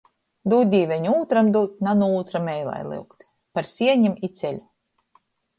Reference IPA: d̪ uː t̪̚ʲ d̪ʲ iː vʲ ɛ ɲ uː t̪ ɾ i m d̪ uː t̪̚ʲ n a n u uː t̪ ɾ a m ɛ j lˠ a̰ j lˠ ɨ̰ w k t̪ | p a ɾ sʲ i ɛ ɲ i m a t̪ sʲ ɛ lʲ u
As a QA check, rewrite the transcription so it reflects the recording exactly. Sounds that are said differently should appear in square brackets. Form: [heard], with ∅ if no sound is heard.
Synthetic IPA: d̪ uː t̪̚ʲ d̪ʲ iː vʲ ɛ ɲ uː t̪ ɾ [a] m d̪ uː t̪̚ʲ n a n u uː t̪ ɾ a m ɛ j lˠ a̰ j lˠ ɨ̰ w k t̪ | p a ɾ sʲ i ɛ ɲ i m [i] t̪ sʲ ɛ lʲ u